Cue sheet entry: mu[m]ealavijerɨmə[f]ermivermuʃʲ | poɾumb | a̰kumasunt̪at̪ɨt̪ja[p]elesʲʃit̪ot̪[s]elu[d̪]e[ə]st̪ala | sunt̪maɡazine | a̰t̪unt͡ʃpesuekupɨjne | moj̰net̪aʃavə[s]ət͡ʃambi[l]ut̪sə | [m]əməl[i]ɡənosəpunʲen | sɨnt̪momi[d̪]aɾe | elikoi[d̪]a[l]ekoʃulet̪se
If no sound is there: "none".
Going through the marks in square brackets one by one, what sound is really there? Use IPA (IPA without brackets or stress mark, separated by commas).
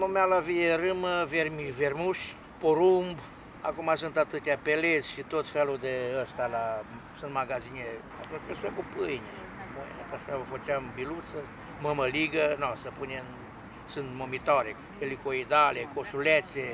m, v, p, f, d̪, ə, f, l, m, i, t̪, d̪, l